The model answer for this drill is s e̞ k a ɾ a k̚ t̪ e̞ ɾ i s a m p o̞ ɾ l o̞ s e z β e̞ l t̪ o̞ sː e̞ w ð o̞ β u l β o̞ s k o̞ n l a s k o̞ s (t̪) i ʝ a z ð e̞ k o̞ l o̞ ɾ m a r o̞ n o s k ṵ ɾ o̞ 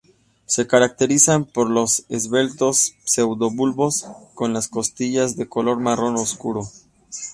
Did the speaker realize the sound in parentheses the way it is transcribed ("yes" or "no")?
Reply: yes